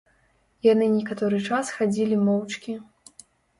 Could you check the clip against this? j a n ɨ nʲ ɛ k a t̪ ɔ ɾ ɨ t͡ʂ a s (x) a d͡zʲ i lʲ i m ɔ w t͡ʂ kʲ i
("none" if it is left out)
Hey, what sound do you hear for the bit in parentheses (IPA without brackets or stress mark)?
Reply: x